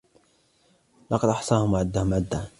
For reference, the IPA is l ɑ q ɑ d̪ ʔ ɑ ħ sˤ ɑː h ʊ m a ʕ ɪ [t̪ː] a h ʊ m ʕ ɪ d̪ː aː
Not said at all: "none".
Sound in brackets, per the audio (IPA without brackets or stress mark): d̪ː